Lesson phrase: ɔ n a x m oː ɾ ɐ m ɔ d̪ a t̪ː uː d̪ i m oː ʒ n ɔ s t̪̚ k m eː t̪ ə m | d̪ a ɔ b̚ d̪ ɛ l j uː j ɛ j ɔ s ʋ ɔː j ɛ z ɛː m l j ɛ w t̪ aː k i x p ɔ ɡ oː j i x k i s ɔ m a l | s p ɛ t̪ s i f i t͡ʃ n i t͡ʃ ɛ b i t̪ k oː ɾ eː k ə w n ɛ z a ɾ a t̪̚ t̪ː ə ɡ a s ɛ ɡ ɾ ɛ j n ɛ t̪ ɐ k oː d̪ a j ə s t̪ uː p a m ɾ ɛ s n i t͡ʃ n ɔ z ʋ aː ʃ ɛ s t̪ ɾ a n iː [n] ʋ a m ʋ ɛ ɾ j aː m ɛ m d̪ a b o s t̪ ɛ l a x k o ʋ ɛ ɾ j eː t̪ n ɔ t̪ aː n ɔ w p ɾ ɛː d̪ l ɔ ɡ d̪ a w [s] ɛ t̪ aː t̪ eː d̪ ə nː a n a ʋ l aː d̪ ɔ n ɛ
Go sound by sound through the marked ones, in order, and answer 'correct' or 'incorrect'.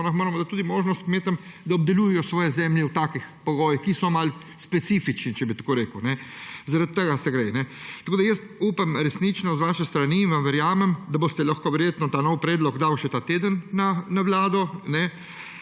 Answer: correct, incorrect

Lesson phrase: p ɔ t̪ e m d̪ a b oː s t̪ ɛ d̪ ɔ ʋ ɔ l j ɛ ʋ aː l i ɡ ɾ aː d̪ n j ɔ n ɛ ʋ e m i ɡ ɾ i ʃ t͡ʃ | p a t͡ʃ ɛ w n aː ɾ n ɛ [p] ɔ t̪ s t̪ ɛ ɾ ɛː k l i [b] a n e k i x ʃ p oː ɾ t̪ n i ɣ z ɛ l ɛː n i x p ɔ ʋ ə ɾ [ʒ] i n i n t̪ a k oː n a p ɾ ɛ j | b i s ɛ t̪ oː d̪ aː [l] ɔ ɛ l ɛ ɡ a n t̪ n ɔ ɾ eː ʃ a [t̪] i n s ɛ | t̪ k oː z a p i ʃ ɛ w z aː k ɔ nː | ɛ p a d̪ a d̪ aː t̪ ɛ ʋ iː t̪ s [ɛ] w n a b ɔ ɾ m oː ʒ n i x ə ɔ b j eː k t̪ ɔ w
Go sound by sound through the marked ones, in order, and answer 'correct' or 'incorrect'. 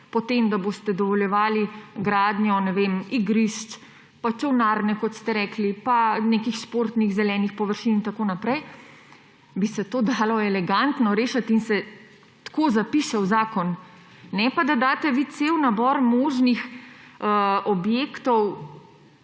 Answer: incorrect, incorrect, incorrect, correct, correct, incorrect

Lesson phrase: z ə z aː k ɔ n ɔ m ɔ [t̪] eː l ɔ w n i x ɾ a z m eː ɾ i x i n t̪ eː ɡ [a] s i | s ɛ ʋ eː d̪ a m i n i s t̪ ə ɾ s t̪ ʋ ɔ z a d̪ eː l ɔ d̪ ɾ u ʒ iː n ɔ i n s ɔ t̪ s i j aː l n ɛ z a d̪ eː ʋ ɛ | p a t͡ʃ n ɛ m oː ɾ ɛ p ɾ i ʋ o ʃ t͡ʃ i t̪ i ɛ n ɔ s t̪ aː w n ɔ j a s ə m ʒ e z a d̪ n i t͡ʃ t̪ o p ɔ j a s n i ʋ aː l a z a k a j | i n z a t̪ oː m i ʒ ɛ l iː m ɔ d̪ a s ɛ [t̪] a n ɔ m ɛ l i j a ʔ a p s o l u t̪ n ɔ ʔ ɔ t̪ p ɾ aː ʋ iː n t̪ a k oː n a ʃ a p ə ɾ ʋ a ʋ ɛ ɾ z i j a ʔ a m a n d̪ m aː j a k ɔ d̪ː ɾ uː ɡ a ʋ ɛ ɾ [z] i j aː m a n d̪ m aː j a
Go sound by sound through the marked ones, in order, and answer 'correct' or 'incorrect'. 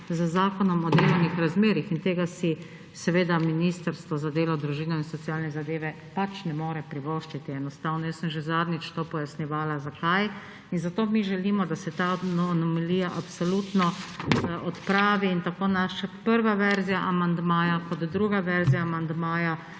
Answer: incorrect, correct, correct, correct

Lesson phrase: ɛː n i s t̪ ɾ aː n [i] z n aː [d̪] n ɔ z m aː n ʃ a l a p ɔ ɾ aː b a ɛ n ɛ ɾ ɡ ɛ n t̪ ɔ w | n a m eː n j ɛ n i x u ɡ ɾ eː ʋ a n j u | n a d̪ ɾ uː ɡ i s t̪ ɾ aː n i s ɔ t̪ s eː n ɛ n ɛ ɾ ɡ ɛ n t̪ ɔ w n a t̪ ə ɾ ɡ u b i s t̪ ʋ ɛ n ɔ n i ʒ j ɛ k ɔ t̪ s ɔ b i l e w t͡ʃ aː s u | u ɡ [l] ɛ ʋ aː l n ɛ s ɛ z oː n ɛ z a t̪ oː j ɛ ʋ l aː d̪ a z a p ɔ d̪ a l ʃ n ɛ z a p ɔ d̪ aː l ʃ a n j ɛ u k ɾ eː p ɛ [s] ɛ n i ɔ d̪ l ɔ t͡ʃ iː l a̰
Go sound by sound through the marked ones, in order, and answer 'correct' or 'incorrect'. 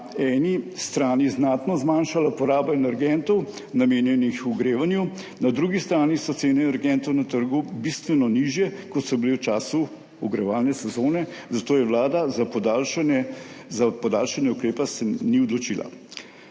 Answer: correct, incorrect, incorrect, correct

